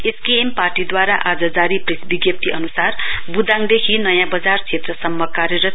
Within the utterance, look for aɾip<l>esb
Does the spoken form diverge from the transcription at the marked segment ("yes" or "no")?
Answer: yes